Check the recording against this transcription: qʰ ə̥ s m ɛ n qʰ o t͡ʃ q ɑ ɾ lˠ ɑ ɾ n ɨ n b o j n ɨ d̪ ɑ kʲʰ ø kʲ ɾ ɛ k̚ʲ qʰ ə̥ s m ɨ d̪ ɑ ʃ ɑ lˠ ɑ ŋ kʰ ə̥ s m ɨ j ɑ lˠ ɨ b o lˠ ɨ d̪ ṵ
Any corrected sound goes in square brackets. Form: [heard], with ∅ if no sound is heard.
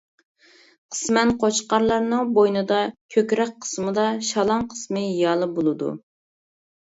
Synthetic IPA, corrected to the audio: qʰ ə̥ s m ɛ n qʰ o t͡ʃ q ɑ ɾ lˠ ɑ ɾ n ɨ [ŋ] b o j n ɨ d̪ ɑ kʲʰ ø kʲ ɾ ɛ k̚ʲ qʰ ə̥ s m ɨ d̪ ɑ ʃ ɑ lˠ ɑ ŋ [qʰ] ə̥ s m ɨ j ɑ lˠ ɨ b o lˠ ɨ d̪ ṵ